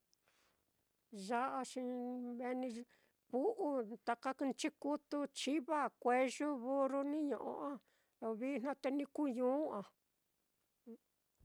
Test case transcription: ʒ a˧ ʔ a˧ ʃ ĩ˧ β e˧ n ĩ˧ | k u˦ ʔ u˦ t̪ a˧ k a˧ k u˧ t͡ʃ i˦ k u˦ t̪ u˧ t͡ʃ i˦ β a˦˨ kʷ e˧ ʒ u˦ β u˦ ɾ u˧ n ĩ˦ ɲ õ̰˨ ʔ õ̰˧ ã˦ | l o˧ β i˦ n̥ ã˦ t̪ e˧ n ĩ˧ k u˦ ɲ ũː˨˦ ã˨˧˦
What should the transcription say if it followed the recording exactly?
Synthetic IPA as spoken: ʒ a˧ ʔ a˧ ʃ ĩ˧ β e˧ n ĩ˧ | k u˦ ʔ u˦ t̪ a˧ k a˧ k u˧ t͡ʃ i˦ k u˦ t̪ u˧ t͡ʃ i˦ β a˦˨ kʷ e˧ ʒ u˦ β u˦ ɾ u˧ n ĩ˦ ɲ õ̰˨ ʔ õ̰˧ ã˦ | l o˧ β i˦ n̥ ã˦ t̪ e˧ n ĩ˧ k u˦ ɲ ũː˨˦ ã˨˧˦

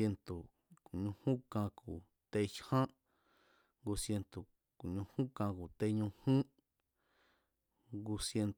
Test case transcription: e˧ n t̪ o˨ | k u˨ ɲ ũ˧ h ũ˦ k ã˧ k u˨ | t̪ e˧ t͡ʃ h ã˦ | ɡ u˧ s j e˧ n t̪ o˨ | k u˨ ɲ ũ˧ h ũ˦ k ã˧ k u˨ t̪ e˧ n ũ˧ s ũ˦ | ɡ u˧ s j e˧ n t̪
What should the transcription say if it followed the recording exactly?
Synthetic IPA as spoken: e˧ n t̪ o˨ | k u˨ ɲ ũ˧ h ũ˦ k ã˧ k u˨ | t̪ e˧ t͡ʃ h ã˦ | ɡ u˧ s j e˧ n t̪ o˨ | k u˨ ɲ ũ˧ h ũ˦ k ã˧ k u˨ t̪ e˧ ɲ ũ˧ h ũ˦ | ɡ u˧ s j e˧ n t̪

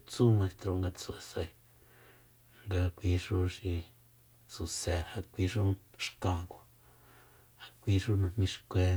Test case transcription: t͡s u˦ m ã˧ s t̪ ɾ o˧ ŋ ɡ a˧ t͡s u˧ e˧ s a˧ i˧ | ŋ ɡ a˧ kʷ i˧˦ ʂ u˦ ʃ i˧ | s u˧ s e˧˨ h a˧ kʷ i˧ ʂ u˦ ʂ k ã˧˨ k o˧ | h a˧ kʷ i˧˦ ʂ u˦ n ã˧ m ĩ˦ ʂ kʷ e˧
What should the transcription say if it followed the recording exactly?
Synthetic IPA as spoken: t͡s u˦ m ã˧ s t̪ ɾ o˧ ŋ ɡ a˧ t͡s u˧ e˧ s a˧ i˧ | ŋ ɡ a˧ kʷ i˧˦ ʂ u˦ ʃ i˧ | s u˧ s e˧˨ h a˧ kʷ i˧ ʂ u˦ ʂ k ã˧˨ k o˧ | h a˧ kʷ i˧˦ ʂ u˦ n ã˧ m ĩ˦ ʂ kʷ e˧

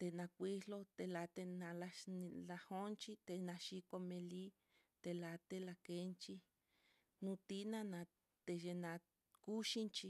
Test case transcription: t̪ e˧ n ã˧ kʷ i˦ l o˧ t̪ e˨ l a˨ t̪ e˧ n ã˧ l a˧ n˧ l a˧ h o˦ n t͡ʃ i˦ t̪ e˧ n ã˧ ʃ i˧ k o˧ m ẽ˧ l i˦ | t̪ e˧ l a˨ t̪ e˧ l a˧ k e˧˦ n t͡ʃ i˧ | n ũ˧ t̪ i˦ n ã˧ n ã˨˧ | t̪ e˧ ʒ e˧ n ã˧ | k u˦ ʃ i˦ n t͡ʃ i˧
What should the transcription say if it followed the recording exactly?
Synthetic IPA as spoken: t̪ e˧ n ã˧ kʷ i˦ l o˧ t̪ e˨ l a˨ t̪ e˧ n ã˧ l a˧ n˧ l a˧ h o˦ n t͡ʃ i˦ t̪ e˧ n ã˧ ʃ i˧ k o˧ m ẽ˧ l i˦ | t̪ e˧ l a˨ t̪ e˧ l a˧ k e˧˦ n t͡ʃ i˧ | n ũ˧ t̪ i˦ n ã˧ n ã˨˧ | t̪ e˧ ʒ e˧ n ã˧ | k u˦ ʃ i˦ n t͡ʃ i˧

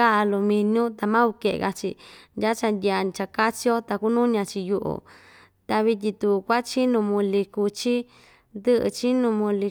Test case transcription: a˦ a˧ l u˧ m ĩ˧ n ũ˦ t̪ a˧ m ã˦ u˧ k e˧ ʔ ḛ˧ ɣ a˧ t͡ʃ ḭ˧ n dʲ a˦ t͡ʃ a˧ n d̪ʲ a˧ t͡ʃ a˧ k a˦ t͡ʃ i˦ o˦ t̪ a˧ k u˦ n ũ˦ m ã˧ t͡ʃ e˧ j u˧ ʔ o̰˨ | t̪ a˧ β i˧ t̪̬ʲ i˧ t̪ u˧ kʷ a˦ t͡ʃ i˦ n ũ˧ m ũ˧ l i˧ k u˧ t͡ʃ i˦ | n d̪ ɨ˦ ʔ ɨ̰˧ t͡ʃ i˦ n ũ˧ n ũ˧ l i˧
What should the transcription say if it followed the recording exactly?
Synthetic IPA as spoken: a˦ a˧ l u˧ m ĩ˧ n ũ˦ t̪ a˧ m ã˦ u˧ k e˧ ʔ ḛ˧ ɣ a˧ t͡ʃ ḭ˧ n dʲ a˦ t͡ʃ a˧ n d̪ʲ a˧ t͡ʃ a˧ k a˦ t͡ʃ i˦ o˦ t̪ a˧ k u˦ n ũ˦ ɲ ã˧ t͡ʃ i˧ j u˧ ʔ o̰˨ | t̪ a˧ β i˧ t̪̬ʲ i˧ t̪ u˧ kʷ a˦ t͡ʃ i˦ n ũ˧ m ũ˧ l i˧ k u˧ t͡ʃ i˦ | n d̪ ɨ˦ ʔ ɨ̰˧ t͡ʃ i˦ n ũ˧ m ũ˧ l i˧

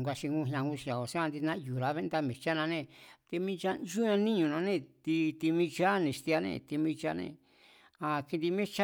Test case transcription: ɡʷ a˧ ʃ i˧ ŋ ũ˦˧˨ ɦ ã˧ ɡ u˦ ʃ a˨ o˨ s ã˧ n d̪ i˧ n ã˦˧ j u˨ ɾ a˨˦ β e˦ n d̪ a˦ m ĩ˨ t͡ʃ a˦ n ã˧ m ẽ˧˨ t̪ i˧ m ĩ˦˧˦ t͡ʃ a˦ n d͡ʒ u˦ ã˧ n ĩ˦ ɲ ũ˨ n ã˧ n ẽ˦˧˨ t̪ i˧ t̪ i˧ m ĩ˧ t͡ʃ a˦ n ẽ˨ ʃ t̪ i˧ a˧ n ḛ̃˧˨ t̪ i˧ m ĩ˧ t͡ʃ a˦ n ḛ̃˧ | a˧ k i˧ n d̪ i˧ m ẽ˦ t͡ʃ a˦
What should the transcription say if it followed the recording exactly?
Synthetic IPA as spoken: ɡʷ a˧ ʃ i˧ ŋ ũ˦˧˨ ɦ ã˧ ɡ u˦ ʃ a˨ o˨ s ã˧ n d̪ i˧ n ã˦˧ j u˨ ɾ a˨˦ β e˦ n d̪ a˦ m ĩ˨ t͡ʃ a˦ n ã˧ n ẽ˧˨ t̪ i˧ m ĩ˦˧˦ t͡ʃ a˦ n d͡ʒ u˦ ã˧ n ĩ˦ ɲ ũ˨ n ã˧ n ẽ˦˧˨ t̪ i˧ t̪ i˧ m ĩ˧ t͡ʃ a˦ n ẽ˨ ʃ t̪ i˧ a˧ n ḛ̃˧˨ t̪ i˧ m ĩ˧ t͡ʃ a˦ n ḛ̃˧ | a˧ k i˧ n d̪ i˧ m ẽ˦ t͡ʃ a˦

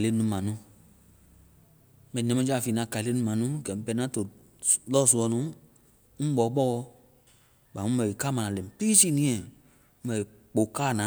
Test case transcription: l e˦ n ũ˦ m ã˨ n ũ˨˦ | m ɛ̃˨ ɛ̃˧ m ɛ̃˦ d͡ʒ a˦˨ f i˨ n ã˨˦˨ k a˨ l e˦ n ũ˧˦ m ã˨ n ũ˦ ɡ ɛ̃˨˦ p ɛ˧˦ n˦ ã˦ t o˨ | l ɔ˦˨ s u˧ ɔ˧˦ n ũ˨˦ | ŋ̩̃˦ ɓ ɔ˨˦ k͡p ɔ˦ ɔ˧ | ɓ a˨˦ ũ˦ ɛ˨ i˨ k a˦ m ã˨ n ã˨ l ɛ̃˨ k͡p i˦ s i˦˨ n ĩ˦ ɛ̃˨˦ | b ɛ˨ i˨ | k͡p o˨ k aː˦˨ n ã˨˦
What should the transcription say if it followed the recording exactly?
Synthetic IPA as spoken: l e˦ n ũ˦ m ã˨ n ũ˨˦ | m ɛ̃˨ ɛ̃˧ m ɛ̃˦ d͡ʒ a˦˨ f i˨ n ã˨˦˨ k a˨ l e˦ n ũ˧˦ m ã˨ n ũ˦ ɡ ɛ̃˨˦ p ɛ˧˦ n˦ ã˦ t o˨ | l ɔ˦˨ s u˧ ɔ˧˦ n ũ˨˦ | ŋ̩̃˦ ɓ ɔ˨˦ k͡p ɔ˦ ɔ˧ | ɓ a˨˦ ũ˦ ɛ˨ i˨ k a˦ m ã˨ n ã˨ l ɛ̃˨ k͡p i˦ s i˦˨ n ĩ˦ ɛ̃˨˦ | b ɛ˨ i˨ | k͡p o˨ k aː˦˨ n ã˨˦

